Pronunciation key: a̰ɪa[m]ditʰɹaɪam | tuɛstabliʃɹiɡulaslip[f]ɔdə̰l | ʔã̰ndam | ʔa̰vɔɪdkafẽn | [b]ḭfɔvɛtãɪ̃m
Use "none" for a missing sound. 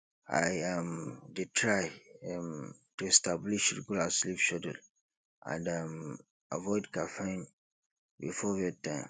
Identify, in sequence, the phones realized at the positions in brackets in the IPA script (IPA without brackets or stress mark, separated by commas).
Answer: m, ʃ, b